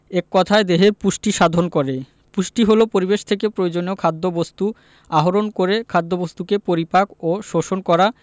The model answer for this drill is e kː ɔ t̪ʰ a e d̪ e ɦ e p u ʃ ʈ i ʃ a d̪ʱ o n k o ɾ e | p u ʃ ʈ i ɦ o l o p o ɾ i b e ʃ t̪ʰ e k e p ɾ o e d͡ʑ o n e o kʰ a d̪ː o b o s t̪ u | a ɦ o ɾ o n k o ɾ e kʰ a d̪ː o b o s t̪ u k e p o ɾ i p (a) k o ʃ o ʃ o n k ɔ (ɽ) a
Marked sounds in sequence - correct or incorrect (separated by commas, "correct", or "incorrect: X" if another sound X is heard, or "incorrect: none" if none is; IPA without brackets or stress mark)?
correct, incorrect: ɾ